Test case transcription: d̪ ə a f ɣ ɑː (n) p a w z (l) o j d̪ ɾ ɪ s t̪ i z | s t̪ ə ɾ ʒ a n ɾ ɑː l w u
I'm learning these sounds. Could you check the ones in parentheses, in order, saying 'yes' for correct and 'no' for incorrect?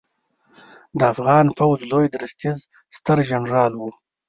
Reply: yes, yes

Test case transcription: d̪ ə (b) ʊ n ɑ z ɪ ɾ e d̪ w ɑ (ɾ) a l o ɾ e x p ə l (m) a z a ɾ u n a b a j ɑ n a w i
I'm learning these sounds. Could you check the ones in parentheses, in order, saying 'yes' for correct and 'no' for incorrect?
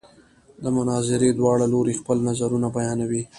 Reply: no, no, no

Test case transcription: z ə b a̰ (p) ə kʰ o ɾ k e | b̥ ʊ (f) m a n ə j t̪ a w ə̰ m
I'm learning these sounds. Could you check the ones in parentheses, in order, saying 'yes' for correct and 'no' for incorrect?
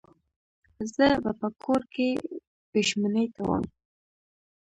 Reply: yes, no

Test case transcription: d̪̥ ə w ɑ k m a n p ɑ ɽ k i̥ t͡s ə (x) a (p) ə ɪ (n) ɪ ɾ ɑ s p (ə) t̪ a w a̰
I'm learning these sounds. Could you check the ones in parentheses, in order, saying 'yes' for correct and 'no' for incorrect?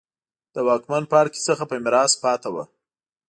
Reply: yes, yes, no, no

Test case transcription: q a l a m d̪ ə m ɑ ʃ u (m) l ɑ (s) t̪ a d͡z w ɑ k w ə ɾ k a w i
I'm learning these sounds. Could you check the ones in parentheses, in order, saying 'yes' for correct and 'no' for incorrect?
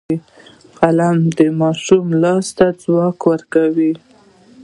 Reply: yes, yes

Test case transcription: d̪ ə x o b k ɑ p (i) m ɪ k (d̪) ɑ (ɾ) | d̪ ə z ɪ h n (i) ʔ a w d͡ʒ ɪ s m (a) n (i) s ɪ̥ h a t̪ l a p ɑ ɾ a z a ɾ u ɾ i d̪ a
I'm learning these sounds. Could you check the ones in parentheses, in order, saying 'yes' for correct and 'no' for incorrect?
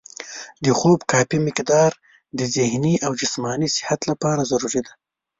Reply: yes, yes, yes, yes, no, yes

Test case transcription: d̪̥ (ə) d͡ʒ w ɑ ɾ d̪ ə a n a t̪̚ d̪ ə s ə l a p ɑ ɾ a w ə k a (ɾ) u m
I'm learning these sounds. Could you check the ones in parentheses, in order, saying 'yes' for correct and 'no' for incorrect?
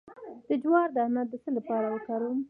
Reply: yes, yes

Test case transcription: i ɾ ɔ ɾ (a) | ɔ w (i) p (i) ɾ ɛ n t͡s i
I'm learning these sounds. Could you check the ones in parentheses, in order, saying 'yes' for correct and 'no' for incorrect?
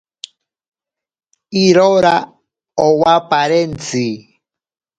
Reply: yes, no, no

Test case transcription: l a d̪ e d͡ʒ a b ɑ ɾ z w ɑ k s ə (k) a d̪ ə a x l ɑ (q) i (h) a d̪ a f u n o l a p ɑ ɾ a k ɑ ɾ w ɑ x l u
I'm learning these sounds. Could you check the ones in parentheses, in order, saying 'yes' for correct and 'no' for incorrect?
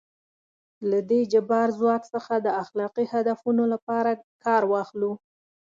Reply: no, yes, yes

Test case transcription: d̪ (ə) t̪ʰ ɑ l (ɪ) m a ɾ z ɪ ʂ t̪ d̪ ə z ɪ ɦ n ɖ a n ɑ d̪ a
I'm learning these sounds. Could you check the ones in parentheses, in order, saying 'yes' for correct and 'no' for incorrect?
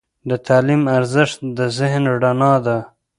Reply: yes, no

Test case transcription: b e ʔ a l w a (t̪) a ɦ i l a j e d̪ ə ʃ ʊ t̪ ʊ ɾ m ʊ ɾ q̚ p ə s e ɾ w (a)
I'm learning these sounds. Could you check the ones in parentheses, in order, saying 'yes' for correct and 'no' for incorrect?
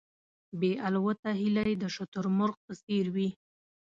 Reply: yes, no

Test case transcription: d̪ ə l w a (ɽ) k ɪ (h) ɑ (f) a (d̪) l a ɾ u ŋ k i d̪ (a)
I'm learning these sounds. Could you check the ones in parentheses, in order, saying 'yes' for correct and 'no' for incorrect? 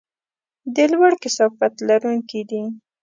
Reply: yes, no, yes, no, no

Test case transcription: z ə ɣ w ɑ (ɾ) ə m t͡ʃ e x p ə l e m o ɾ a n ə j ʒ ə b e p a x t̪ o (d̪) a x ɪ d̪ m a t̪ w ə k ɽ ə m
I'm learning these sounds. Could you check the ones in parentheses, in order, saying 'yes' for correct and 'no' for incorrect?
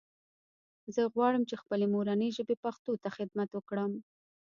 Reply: no, no

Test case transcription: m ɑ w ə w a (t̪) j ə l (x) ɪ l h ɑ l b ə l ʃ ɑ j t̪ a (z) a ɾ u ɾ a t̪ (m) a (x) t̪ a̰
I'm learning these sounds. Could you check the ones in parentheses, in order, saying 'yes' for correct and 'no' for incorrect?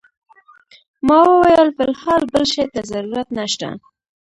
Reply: no, no, yes, no, no

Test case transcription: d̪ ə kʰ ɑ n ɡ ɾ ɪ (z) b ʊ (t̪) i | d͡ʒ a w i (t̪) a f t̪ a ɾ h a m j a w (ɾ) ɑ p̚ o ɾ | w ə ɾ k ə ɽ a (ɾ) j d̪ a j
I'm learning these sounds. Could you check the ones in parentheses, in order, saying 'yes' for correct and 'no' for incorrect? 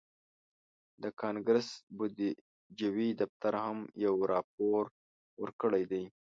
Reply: no, no, no, yes, no

